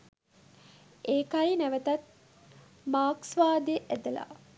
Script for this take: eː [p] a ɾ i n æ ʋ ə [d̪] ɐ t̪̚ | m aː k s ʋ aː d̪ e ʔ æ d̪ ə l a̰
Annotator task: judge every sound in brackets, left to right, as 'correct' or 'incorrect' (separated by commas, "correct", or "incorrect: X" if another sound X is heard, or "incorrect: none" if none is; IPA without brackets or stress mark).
incorrect: k, incorrect: t̪